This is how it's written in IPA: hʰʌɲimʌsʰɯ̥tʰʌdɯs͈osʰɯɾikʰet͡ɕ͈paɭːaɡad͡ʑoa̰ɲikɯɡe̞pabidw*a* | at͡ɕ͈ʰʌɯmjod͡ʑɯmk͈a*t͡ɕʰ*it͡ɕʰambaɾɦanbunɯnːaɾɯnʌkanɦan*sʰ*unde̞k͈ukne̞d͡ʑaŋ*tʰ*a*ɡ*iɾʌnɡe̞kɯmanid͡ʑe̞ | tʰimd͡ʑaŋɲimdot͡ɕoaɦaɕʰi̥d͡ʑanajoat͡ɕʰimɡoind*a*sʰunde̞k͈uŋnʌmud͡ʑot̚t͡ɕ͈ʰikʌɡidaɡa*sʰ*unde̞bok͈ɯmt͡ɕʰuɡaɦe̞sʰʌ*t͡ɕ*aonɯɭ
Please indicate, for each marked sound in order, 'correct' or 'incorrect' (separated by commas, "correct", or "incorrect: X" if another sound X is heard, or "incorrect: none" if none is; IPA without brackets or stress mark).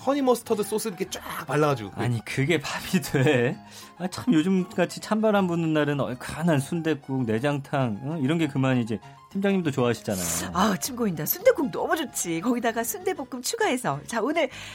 incorrect: e, correct, correct, correct, incorrect: ŋ, correct, correct, correct